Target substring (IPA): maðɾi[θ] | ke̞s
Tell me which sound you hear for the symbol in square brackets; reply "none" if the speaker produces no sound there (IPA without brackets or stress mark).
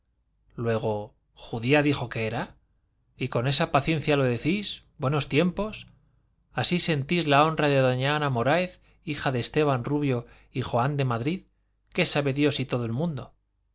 ð